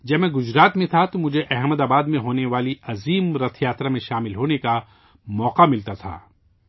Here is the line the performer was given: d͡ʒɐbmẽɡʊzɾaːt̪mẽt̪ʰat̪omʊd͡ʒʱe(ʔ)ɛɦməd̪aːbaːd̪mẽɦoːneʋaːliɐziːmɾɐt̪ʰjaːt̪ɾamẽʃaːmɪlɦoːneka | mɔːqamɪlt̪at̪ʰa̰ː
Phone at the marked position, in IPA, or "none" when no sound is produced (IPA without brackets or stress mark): ʔ